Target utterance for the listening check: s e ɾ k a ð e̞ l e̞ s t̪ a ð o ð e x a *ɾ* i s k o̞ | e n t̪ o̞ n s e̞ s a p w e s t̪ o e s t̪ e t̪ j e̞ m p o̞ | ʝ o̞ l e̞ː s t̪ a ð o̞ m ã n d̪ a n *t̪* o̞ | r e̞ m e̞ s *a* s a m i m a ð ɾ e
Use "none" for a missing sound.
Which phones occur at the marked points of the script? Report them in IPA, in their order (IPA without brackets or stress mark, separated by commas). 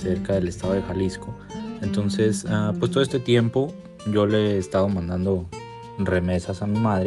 l, d̪, a